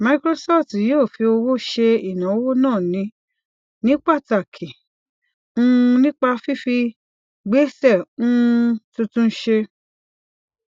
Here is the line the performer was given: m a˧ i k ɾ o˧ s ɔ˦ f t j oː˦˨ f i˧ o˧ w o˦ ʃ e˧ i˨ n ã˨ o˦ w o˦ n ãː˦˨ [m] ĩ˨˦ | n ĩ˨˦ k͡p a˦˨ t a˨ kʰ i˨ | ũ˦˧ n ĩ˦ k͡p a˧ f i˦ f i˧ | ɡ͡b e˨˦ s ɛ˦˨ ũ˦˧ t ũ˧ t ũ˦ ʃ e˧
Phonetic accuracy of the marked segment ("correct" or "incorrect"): incorrect